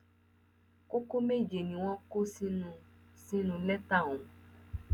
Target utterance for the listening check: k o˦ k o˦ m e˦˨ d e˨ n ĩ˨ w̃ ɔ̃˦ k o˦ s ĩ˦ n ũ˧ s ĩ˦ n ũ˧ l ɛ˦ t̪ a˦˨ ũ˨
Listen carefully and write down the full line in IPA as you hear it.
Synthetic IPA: k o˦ k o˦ m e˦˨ d͡ʒ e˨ n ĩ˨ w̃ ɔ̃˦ k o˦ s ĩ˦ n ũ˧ s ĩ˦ n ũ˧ l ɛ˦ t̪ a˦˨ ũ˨